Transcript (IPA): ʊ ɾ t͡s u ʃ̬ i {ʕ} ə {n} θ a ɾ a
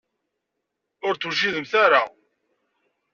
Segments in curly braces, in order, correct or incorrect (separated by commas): incorrect, incorrect